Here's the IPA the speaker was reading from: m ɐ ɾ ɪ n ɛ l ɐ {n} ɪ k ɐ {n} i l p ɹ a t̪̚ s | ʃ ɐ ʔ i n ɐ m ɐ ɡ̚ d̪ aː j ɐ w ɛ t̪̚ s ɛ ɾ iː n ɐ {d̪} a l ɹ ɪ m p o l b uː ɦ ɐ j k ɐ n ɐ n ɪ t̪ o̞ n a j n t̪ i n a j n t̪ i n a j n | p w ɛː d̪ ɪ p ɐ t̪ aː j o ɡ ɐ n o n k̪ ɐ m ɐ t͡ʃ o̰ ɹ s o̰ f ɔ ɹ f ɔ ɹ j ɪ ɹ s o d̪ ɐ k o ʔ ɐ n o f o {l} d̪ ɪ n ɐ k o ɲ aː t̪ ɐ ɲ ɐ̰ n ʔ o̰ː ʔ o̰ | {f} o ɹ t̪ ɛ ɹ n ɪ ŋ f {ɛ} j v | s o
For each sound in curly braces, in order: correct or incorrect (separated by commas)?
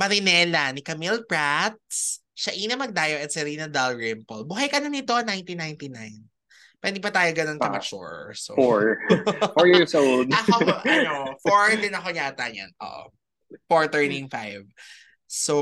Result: correct, incorrect, correct, incorrect, correct, incorrect